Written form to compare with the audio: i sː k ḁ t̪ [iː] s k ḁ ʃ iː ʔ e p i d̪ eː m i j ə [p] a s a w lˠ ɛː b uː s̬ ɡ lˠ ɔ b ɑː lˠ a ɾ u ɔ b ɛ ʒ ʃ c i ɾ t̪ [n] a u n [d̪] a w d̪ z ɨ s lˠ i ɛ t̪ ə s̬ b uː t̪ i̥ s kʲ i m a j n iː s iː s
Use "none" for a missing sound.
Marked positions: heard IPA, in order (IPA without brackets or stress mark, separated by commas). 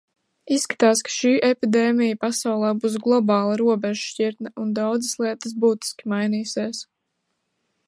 aː, p, n, d̪